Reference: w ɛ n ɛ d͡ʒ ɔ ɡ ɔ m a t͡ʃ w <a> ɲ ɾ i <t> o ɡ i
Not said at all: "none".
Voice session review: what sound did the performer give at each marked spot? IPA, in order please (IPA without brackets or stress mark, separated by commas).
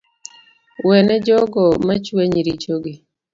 e, t͡ʃ